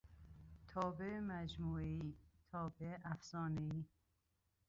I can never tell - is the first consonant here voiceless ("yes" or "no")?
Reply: yes